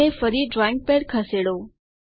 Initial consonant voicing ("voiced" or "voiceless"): voiceless